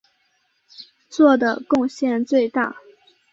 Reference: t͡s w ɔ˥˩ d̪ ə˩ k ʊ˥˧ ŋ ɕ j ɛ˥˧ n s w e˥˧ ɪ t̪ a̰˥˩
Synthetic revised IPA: t͡s w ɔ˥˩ d̪ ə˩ k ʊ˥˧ ŋ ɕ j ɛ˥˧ n t͡s w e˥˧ ɪ t̪ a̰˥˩